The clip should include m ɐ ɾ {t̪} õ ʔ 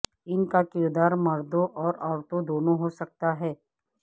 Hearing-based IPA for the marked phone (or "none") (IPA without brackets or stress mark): d̪